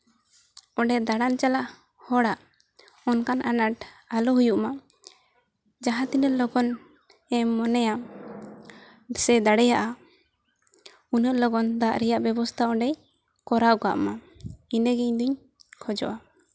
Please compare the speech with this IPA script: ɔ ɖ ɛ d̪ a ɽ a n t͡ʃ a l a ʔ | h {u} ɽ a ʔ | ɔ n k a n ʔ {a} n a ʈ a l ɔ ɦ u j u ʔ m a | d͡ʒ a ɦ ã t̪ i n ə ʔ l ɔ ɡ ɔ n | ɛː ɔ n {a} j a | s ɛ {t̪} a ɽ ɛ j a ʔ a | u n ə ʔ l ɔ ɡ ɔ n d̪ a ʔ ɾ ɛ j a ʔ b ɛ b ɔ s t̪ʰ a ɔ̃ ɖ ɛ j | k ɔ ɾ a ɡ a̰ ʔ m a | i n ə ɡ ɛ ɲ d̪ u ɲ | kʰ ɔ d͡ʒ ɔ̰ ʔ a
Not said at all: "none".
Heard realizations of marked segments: ɔ, a, ɛ, d̪

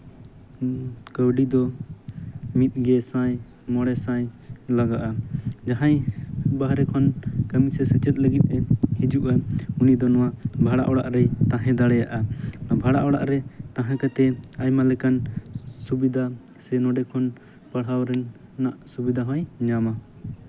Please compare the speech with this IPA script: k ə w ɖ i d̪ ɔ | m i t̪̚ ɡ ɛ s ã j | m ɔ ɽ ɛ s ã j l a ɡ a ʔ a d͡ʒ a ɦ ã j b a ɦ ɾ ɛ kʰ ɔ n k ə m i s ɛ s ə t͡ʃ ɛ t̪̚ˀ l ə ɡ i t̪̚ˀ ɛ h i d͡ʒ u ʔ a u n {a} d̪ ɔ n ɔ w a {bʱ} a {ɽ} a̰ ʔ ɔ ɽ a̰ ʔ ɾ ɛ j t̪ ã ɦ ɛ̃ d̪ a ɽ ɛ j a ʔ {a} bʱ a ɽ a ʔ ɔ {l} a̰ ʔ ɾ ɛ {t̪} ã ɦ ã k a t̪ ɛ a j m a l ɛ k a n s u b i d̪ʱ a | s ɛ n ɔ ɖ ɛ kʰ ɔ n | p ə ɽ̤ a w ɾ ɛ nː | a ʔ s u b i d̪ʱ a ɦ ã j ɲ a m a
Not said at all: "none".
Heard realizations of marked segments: i, bʱ, ɽ, a, ɽ, t̪

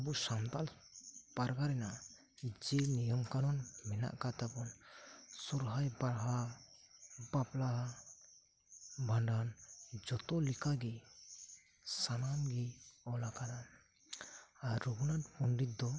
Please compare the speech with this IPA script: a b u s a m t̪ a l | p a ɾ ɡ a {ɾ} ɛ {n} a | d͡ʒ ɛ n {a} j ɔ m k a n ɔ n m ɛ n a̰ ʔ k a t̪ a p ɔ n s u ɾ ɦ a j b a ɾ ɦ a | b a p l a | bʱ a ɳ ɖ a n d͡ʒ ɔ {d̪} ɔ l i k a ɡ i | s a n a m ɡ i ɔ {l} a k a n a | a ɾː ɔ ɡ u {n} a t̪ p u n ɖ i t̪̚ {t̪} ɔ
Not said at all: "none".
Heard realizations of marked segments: ɾ, n, i, t̪, l, n, d̪

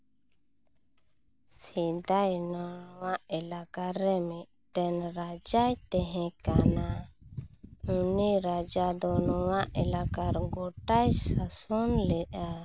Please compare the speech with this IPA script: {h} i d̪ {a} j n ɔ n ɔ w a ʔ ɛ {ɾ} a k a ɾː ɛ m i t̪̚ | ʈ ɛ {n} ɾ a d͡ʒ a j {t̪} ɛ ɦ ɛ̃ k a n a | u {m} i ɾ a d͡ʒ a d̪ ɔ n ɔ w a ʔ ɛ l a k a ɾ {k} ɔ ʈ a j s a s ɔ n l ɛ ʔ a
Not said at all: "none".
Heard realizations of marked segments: s, a, l, n, t̪, n, ɡ

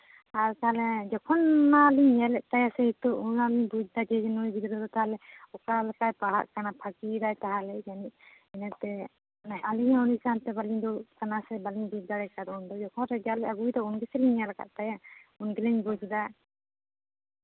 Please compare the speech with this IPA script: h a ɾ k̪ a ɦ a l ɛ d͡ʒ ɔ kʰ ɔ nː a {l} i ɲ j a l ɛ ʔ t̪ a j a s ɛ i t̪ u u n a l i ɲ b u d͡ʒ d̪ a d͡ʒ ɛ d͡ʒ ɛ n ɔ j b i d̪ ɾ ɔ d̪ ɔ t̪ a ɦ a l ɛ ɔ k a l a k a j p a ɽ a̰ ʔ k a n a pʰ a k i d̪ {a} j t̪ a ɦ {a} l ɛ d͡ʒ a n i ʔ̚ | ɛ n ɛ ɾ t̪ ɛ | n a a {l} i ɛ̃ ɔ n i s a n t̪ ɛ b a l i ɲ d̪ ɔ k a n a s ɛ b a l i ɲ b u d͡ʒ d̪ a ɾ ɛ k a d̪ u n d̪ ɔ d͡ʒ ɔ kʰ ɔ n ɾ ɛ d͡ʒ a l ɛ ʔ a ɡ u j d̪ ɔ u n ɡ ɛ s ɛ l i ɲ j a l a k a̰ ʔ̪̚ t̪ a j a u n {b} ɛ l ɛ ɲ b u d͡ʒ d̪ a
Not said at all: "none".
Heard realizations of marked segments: l, a, a, l, ɡ

